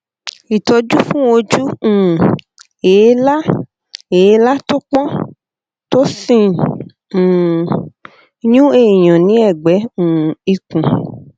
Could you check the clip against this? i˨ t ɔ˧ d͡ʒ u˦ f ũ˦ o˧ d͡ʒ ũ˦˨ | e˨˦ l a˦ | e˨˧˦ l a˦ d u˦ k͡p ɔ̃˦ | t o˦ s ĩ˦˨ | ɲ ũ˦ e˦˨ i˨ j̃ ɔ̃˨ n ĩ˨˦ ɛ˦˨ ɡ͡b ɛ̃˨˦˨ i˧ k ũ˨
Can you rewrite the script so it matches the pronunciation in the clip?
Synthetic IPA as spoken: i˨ t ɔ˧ d͡ʒ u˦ f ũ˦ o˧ d͡ʒ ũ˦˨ | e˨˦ l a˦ | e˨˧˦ l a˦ t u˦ k͡p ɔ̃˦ | t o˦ s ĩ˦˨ | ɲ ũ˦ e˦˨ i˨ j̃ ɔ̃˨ n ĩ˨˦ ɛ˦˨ ɡ͡b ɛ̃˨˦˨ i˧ k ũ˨